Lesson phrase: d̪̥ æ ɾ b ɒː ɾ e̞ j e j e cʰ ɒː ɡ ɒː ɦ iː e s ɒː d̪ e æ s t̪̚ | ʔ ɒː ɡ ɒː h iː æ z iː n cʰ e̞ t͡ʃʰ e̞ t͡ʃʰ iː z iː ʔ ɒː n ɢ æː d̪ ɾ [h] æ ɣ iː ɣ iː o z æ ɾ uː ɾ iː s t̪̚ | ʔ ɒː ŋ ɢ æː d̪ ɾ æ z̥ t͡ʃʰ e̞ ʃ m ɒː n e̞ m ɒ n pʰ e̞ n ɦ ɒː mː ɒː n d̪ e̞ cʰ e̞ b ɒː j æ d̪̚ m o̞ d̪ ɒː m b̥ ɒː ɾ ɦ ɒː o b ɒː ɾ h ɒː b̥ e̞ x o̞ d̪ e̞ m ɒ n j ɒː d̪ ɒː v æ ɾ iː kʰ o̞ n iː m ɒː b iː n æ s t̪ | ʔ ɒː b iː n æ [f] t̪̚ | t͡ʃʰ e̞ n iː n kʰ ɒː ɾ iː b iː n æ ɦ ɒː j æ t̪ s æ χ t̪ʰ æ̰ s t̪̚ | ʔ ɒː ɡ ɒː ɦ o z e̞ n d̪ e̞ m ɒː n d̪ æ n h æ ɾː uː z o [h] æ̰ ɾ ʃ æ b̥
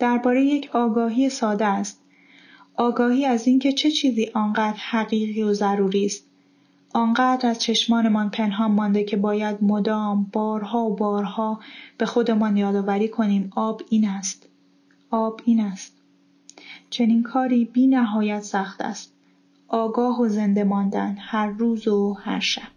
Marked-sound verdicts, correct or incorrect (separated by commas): correct, incorrect, correct